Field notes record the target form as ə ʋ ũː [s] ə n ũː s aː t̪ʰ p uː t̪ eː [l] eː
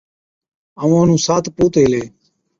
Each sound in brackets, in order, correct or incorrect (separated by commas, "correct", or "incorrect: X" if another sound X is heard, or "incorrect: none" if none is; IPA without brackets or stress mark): incorrect: none, correct